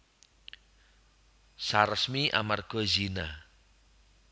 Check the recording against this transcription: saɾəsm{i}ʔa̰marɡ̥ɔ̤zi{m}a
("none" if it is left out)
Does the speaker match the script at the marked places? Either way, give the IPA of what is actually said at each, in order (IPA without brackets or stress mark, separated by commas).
i, n